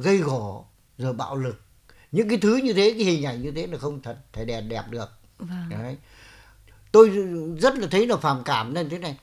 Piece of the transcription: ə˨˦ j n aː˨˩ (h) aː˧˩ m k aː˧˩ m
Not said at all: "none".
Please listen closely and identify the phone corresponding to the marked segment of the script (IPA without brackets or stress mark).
f